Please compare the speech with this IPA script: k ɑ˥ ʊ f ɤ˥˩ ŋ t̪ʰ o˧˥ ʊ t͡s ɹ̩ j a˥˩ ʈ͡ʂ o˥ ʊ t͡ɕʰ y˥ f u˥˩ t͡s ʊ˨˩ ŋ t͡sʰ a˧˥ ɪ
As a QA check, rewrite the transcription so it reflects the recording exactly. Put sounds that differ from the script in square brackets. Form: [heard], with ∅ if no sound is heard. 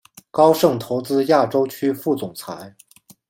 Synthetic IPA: k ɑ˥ ʊ [ʂ] ɤ˥˩ ŋ t̪ʰ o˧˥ ʊ t͡s ɹ̩ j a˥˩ ʈ͡ʂ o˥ ʊ t͡ɕʰ y˥ f u˥˩ t͡s ʊ˨˩ ŋ t͡sʰ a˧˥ ɪ